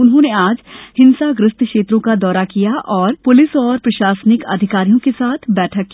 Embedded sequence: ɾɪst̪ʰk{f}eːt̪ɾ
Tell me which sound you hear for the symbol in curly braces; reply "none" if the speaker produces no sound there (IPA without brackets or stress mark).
ʃ